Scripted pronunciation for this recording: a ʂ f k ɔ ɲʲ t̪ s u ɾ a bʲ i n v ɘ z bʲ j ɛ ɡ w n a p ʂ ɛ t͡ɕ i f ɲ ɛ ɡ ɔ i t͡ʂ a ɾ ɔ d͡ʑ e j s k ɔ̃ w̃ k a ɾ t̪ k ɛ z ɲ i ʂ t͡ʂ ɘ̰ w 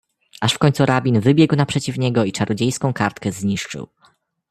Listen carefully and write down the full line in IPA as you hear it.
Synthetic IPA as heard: a ʂ f k ɔ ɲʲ t̪ s u ɾ a bʲ i n v ɘ bʲ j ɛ ɡ w n a p ʂ ɛ t͡ɕ i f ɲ ɛ ɡ ɔ i t͡ʂ a ɾ ɔ d͡ʑ e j s k ɔ̃ w̃ k a ɾ t̪ k ɛ z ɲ i ʂ t͡ʂ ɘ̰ w